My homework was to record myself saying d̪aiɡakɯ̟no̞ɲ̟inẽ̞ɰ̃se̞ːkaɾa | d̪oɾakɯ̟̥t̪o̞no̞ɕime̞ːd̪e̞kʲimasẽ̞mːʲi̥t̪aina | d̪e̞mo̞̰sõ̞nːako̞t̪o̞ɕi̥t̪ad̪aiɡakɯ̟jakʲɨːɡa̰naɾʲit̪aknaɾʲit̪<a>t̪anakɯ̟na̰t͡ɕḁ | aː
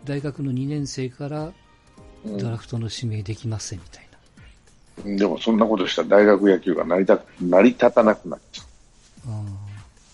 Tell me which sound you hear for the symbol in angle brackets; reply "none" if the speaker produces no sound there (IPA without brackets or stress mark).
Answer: a